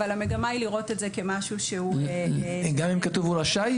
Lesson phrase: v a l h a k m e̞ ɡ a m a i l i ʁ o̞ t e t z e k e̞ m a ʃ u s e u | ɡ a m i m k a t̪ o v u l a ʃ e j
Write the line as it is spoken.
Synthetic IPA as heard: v a l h a m e̞ ɡ a m a i l i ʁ o̞ t e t z e k e̞ m a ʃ u ʃ e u | ɡ a m i m k a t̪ u v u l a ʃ a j